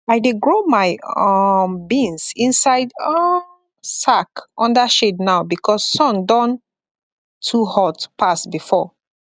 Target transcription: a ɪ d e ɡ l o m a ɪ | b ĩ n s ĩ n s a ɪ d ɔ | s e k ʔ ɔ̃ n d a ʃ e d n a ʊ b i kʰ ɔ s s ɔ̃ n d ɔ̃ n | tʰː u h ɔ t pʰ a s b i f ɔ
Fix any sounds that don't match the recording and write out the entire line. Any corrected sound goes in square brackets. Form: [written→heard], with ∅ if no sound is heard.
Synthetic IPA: a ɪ d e ɡ [l→ɹ] o m a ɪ | b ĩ n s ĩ n s a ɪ d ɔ | s [e→a] k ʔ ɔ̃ n d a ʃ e d n a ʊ b i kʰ ɔ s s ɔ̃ n d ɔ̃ n | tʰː u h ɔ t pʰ a s b i f ɔ